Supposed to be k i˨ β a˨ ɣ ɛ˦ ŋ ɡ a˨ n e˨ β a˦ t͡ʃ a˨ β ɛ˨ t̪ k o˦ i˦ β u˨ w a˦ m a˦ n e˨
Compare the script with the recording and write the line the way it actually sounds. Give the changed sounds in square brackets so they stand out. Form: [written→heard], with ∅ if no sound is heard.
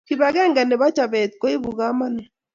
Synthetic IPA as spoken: k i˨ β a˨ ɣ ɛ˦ ŋ ɡ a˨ n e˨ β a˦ t͡ʃ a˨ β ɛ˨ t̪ k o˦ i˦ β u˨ [w→ɣ] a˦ m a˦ n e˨